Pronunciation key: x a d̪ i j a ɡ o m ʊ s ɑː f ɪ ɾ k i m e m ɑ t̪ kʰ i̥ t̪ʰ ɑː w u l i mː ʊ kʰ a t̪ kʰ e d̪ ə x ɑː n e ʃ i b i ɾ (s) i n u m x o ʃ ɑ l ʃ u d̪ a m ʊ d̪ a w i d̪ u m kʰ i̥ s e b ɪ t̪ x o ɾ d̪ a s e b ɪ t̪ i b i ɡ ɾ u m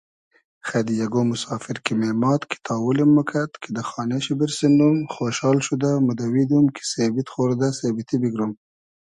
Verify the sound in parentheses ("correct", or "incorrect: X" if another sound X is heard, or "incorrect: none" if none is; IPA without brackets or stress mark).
correct